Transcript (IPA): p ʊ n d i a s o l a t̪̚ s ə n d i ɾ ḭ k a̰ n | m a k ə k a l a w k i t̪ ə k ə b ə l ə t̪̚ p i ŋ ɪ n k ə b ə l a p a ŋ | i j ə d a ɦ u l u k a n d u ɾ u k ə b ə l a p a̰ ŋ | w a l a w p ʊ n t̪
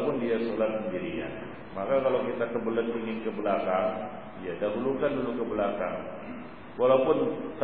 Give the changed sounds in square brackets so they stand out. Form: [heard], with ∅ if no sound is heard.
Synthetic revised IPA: p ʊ n d i a s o l a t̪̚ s ə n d i ɾ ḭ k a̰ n | m a k [a] k a l a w k i t̪ [a] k ə b ə l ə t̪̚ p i ŋ ɪ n k ə b ə l a [k] a ŋ | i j [a] d a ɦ u l u k a n d u [l] u k ə b ə l a [k] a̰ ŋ | w a l a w p ʊ n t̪